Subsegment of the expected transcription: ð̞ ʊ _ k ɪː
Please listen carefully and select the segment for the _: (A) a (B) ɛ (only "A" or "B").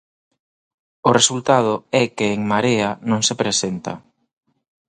B